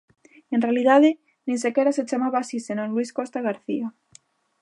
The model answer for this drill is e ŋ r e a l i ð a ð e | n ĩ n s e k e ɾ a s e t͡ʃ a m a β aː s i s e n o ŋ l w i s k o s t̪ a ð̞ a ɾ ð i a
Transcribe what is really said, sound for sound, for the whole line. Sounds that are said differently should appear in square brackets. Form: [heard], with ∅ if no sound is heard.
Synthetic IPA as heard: e [n] r e a l i ð a ð e | n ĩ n s e k e ɾ a s e t͡ʃ a m a β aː s i s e n o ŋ l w i s k o s t̪ a [ɣ̞] a ɾ [θ] i a